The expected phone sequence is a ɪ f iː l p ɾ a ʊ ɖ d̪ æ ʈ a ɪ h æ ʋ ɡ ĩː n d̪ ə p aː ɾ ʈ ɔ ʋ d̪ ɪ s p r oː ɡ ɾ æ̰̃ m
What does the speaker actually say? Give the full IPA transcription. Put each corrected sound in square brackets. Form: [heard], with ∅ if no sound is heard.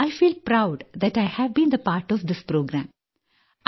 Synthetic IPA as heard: a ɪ f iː l p ɾ a ʊ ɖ d̪ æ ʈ a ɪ h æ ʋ [b] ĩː n d̪ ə p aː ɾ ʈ ɔ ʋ d̪ ɪ s p [ɾ] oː ɡ ɾ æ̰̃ m